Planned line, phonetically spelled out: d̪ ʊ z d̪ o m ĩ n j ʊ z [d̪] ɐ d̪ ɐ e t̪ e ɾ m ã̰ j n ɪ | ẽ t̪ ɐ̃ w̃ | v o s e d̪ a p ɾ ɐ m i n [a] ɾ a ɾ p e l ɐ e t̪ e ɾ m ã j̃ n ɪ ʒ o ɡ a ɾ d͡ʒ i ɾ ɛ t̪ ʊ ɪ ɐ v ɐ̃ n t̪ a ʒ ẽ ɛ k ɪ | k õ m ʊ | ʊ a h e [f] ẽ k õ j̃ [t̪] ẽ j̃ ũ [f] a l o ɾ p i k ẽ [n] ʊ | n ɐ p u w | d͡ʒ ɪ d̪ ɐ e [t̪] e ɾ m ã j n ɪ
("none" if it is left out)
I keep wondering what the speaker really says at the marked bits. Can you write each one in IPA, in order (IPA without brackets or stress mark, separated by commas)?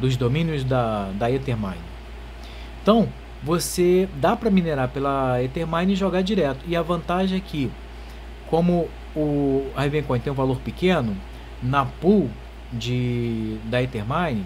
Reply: d̪, e, v, t̪, v, n, t̪